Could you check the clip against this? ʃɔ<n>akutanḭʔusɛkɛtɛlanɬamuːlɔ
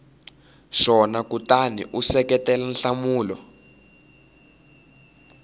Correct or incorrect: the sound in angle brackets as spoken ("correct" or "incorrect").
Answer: correct